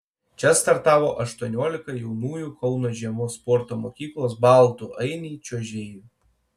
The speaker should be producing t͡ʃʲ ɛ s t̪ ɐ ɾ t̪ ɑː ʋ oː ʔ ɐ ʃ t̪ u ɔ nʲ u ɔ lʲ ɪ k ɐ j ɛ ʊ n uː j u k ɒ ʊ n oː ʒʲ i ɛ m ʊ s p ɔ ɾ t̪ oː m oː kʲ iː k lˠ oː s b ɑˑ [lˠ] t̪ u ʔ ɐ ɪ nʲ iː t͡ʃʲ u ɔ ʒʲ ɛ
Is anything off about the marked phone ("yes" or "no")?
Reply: no